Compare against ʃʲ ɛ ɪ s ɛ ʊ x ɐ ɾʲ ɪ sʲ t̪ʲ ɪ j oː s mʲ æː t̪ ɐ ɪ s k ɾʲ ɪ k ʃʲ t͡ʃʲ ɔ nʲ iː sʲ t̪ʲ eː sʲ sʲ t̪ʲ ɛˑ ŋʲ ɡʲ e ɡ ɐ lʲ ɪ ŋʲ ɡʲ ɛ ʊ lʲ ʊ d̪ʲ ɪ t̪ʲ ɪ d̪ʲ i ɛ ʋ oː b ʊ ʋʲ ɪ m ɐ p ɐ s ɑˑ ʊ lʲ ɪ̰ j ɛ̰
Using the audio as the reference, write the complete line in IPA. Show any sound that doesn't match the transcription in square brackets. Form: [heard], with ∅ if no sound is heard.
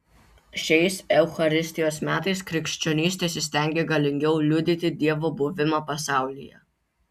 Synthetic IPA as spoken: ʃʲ ɛ ɪ s ɛ ʊ x ɐ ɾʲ ɪ sʲ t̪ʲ ɪ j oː s mʲ æː t̪ ɐ ɪ s k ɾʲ ɪ k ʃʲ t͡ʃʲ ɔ nʲ iː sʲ t̪ʲ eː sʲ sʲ t̪ʲ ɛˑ ŋʲ ɡʲ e ɡ ɐ lʲ ɪ ŋʲ ɡʲ ɛ ʊ lʲ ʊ d̪ʲ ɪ t̪ʲ ɪ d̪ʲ i ɛ ʋ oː b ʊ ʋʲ ɪ m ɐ p ɐ s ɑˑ ʊ lʲ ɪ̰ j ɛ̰